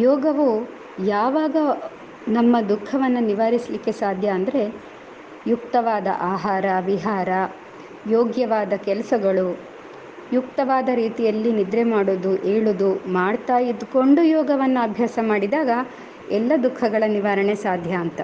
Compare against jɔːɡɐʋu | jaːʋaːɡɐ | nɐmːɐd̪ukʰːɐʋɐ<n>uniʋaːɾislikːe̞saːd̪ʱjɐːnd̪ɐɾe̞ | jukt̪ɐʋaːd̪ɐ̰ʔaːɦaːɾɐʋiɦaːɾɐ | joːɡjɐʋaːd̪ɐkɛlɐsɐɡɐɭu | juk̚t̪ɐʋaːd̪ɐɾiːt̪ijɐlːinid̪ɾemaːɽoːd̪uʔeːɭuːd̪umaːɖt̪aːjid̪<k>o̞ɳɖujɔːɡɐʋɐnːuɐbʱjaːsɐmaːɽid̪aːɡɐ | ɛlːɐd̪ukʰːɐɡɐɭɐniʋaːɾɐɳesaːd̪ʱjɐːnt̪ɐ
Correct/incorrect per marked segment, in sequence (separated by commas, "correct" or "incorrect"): incorrect, correct